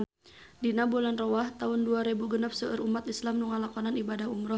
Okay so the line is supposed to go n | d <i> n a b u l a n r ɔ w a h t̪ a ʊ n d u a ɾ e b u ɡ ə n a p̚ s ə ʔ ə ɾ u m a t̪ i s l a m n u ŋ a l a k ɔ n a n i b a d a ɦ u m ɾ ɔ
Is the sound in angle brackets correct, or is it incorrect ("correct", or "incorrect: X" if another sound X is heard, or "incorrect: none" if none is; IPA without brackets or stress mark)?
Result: correct